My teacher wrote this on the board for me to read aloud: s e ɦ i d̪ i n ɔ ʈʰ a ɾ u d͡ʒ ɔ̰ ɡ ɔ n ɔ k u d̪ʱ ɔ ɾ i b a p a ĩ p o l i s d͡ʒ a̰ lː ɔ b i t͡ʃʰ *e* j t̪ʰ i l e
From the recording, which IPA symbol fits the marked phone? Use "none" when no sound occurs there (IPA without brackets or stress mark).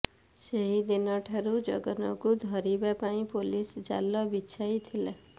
a